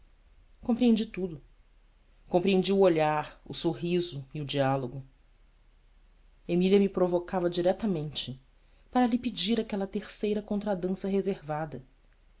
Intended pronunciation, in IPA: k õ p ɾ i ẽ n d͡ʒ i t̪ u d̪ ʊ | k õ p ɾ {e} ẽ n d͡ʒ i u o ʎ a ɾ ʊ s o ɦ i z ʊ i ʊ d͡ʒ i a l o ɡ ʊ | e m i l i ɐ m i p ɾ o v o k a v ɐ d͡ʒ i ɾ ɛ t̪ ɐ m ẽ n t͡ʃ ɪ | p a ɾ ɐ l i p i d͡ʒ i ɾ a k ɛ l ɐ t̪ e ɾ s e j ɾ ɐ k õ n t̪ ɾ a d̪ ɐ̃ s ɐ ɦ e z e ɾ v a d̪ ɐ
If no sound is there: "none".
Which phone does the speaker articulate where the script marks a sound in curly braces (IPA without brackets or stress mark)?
i